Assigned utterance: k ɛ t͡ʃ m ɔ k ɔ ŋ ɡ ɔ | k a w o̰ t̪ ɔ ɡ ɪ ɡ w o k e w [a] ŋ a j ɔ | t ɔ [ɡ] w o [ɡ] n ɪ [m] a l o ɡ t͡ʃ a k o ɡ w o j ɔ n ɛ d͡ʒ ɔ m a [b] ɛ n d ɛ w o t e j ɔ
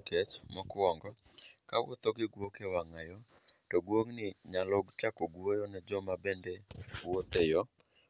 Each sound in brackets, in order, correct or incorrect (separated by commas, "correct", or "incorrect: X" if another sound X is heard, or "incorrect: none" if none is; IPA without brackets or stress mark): correct, correct, incorrect: ŋ, incorrect: ɲ, correct